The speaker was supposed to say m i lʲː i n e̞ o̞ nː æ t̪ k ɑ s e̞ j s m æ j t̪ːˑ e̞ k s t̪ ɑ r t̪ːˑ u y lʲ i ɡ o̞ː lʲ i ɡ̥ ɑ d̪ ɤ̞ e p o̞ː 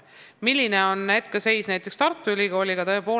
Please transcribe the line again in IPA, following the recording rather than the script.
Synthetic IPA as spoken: m i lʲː i n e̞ o̞ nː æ t̪ k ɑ s e̞ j s n æ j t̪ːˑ e̞ k s t̪ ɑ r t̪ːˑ u y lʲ i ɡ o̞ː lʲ i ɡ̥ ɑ t̪ ɤ̞ e p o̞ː